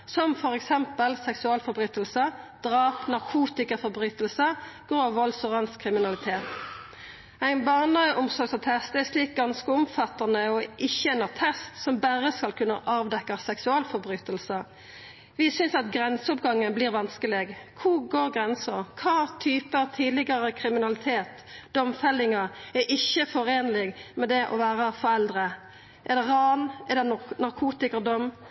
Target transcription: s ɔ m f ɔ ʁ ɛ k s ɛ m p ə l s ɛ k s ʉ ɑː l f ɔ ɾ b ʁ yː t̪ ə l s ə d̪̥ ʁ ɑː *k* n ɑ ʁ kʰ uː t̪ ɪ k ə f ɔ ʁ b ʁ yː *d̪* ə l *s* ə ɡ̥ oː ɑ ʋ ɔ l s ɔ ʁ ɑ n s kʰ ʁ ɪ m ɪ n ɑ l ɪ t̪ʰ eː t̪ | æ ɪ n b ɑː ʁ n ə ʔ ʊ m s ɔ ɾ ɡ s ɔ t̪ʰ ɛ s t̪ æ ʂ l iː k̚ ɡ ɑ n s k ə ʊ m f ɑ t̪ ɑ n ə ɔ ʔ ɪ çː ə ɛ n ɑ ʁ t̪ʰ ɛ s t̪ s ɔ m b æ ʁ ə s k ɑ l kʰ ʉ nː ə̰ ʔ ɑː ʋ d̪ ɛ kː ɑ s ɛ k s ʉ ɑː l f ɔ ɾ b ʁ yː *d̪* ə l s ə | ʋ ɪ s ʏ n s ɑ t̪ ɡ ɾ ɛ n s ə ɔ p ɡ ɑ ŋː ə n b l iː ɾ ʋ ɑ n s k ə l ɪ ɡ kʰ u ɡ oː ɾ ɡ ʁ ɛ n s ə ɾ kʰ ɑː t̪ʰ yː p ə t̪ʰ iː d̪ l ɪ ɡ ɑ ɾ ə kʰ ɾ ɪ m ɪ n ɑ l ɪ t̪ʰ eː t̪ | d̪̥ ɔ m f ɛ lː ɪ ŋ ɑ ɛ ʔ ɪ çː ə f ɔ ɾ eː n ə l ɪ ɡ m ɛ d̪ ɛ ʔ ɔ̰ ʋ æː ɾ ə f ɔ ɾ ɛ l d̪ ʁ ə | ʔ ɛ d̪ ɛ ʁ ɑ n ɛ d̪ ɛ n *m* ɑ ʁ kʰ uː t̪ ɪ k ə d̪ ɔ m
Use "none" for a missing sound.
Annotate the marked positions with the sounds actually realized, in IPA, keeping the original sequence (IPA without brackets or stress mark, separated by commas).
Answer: p, t̪, s, t̪, n